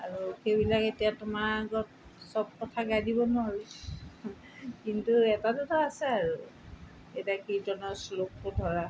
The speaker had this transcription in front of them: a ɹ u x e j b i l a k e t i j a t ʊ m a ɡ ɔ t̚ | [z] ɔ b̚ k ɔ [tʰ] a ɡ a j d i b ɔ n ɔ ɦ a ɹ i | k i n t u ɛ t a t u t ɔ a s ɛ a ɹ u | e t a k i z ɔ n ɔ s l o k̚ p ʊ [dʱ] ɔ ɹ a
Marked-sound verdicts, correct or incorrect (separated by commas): incorrect, correct, correct